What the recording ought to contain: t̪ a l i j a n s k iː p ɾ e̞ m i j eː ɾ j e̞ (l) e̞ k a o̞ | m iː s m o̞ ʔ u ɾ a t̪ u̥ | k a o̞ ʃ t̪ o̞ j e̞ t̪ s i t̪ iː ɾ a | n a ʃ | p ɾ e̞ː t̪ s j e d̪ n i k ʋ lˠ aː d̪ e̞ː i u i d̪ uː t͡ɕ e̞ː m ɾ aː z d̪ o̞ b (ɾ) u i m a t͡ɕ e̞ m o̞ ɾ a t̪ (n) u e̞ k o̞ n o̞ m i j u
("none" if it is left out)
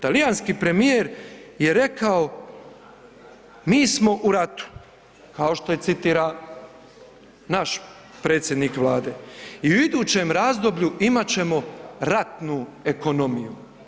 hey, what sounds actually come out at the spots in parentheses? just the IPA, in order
ɾ, ʎ, n

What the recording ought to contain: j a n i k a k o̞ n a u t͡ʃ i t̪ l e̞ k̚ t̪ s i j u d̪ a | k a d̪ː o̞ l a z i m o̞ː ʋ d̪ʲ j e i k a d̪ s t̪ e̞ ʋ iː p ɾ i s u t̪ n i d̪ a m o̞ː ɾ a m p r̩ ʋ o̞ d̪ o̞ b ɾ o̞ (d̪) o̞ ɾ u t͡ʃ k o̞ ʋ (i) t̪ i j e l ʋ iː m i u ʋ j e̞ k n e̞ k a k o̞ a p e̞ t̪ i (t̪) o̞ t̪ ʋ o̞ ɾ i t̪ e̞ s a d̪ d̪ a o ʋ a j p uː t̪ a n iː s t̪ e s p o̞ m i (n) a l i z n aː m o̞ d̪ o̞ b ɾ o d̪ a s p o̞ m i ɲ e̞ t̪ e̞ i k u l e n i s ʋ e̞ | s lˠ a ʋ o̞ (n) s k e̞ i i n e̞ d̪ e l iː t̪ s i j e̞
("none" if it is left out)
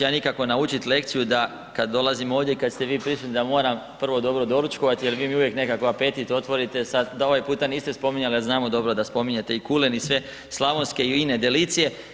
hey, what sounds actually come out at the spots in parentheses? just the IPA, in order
d̪, a, t̪, ɲ, n

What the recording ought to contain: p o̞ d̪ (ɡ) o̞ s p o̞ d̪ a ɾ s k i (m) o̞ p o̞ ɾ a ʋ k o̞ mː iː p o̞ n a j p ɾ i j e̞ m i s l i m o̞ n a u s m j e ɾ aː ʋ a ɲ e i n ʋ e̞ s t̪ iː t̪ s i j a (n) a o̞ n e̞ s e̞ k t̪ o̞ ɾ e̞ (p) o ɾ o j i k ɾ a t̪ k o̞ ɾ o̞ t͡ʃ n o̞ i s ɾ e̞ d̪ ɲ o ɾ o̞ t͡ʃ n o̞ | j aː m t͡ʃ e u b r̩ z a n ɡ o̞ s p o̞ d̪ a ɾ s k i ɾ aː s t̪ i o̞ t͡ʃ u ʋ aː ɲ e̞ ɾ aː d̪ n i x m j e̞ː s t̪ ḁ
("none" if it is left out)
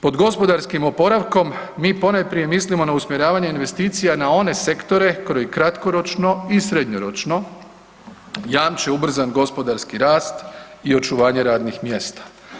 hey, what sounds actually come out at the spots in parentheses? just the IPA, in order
ɡ, m, n, k

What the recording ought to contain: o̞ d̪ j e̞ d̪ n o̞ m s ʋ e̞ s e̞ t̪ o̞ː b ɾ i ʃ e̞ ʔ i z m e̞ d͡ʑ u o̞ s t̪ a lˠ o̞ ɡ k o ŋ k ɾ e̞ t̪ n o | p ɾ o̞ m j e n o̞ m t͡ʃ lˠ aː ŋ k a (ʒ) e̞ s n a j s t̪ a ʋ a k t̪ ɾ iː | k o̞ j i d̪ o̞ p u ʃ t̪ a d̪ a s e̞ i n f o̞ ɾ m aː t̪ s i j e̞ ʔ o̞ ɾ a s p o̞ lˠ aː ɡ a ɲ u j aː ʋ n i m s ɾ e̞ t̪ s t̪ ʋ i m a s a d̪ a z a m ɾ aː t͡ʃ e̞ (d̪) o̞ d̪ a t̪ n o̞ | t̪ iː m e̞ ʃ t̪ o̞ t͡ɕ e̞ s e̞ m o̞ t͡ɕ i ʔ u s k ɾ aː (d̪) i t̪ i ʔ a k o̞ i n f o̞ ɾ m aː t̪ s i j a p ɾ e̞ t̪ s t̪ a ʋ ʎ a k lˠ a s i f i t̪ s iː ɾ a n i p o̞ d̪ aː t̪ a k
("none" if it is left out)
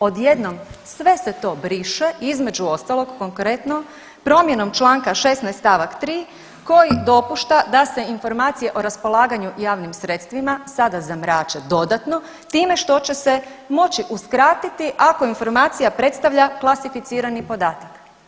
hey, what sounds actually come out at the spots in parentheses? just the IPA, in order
ʃ, d̪, t̪

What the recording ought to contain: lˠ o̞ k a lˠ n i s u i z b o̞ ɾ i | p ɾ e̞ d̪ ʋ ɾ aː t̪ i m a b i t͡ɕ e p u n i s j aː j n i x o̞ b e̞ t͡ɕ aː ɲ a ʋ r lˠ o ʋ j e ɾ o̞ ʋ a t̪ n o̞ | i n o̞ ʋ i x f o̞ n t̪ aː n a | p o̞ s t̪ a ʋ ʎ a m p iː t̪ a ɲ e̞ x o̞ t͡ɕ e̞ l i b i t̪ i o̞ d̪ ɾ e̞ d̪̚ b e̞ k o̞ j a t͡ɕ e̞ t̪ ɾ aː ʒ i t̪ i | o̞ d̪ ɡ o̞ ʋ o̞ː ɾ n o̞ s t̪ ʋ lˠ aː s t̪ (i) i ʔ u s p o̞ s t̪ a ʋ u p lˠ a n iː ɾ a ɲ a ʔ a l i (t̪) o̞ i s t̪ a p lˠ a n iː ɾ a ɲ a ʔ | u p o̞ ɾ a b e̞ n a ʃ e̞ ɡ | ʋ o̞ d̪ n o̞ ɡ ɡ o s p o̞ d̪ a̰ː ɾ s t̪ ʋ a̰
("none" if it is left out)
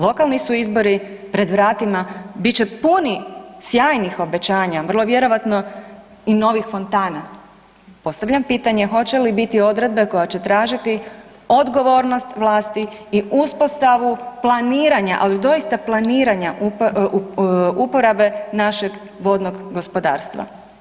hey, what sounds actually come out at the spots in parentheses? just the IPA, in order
i, d̪

